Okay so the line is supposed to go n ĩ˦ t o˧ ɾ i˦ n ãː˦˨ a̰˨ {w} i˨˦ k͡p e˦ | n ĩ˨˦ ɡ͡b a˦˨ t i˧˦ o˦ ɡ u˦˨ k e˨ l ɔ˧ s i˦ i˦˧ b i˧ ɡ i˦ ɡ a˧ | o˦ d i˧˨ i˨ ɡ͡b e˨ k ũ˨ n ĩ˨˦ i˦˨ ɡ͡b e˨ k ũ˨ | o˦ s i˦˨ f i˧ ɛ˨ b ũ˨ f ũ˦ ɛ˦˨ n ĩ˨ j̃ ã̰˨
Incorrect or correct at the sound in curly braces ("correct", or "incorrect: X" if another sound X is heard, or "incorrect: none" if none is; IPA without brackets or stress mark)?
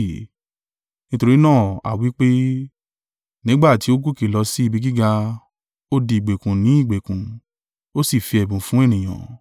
correct